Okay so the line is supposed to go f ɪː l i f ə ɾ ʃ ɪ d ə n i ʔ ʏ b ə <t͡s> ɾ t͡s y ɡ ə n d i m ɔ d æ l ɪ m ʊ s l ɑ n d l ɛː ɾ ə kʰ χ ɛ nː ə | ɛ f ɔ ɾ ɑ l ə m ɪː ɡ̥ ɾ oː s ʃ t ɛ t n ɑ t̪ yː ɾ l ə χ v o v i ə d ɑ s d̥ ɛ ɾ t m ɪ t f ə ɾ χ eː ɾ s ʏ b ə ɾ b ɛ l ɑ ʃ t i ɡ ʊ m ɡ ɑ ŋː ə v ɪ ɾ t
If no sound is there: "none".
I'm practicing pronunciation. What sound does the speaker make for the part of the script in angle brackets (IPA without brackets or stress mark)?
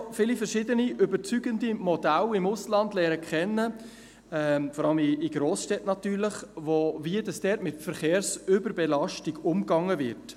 none